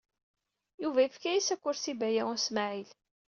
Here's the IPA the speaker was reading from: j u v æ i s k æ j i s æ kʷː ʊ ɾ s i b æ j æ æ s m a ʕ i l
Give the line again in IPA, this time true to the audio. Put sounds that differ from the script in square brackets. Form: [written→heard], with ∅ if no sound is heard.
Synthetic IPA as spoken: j u v æ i [s→f] k æ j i s æ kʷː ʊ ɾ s i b æ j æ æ s m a ʕ i l